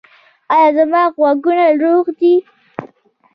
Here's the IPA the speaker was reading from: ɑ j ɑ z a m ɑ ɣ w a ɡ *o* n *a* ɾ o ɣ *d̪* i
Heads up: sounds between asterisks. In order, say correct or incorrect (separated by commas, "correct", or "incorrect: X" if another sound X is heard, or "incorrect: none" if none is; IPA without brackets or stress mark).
incorrect: u, correct, correct